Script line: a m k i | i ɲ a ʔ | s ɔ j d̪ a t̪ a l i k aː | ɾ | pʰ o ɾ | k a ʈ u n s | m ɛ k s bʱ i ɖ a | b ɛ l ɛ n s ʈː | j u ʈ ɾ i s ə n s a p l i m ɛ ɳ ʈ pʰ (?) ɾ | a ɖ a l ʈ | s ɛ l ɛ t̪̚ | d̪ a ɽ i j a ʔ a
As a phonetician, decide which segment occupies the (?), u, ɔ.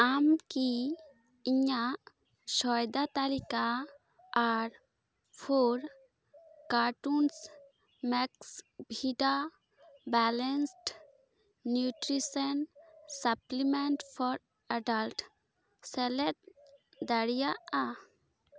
ɔ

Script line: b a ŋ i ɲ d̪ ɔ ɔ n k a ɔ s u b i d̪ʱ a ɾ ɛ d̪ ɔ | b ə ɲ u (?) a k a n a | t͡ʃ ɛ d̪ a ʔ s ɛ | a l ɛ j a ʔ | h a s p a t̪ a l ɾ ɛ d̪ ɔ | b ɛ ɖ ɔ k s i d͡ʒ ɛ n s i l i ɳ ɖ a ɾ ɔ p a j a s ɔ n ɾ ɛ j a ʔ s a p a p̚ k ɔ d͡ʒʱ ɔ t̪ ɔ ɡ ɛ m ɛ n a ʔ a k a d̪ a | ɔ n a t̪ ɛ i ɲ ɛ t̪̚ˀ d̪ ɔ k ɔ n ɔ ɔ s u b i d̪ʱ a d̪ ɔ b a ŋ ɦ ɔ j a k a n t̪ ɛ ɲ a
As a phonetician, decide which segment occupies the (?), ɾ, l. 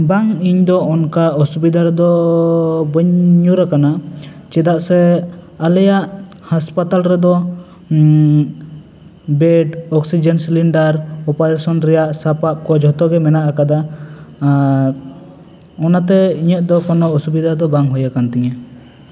ɾ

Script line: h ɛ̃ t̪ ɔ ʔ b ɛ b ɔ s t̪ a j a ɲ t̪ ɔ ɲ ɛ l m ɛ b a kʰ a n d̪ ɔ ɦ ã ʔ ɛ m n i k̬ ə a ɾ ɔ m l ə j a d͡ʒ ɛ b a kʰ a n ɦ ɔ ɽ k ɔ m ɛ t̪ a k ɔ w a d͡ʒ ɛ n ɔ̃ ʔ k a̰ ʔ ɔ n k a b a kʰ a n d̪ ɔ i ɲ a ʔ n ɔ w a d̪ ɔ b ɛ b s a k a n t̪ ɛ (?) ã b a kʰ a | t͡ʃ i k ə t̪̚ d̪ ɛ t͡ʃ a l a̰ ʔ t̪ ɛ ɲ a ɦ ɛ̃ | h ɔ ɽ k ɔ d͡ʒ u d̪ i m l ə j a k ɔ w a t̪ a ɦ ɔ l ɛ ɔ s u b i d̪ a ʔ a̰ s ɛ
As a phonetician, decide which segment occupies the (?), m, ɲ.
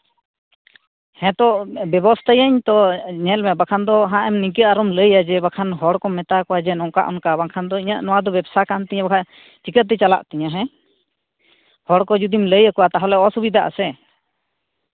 ɲ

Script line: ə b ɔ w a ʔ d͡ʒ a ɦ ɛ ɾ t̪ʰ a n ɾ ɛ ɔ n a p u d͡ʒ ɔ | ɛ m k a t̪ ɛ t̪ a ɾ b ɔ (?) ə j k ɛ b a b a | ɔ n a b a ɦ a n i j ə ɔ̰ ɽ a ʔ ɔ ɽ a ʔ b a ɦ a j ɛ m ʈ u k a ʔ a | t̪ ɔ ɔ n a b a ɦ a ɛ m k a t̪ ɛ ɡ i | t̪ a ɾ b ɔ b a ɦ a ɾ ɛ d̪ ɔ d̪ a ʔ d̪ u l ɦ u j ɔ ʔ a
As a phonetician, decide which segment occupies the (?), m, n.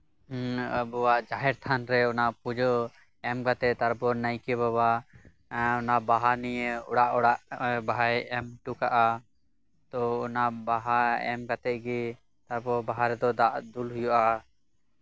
n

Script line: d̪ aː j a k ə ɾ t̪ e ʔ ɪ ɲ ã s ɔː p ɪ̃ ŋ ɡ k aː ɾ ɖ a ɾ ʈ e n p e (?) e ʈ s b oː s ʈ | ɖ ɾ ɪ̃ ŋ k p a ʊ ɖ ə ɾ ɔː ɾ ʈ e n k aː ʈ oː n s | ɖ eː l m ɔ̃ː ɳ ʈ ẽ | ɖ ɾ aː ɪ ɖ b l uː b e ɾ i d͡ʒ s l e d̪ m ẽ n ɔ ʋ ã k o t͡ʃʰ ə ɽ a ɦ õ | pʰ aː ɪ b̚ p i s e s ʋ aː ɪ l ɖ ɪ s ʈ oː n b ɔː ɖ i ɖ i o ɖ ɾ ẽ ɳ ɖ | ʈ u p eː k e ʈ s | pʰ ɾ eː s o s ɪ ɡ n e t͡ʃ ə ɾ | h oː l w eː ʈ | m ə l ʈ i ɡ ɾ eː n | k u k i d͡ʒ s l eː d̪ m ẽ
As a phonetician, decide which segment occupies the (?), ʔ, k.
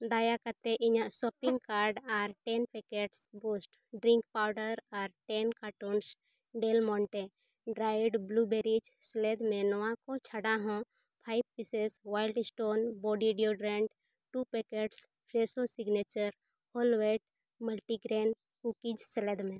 k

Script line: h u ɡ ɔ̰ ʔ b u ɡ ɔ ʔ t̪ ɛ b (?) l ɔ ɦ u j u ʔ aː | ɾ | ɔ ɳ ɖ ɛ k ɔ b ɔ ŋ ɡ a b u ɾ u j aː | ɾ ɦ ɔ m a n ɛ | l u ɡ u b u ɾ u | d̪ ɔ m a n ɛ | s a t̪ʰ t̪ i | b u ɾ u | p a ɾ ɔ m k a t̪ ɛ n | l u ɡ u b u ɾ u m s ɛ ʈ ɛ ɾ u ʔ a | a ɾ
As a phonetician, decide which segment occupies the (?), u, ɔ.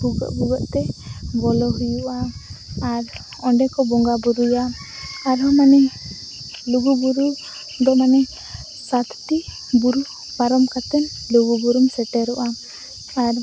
ɔ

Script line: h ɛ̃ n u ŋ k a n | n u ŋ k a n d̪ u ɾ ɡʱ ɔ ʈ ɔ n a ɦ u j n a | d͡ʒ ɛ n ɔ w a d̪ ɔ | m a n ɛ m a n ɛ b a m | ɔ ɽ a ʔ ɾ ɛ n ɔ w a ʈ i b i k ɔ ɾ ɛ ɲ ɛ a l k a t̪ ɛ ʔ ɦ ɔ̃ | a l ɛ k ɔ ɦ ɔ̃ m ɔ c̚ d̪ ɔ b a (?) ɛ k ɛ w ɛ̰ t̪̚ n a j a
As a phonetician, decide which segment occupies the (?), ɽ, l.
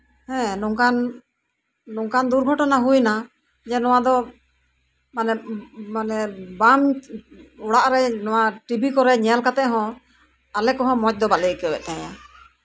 l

